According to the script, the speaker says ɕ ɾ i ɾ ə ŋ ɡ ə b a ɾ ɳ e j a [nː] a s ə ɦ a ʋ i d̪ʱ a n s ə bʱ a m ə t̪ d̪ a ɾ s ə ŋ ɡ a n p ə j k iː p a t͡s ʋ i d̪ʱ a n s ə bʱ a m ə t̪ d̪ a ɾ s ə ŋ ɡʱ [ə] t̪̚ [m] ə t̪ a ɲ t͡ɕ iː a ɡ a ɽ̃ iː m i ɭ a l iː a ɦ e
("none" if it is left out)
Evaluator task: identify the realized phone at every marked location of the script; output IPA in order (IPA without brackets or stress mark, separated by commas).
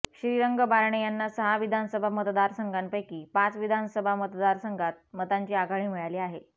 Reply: nː, a, m